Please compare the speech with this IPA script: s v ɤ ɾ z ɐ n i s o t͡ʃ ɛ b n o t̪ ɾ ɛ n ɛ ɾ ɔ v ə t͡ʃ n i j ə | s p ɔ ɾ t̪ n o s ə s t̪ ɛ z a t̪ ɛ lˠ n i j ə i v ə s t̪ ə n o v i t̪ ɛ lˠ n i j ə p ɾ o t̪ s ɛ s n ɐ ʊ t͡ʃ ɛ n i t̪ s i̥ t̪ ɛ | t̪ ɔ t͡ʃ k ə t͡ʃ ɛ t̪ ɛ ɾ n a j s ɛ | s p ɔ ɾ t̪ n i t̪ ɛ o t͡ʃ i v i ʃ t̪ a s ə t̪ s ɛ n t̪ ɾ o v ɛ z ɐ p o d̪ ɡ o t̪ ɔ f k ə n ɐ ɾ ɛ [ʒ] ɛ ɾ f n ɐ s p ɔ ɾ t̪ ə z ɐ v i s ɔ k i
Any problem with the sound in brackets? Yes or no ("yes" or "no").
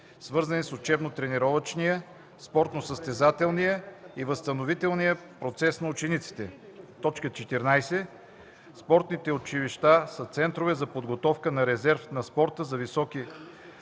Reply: yes